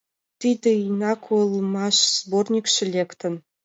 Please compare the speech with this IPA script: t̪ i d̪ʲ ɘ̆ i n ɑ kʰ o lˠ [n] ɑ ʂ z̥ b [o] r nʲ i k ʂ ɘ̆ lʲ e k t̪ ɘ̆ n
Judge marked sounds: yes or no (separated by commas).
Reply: no, yes